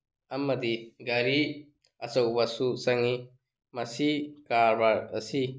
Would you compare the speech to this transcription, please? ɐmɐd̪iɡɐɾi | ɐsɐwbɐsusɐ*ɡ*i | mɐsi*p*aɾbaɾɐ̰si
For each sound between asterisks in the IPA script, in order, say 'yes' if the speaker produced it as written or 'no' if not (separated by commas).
no, no